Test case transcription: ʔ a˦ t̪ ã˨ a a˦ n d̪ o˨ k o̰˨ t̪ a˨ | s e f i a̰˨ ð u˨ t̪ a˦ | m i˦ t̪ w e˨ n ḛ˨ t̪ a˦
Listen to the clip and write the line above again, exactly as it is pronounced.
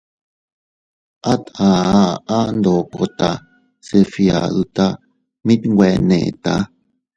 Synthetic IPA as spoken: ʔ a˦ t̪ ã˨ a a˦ n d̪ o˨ k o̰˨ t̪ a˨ | s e f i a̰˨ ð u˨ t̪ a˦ | m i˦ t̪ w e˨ n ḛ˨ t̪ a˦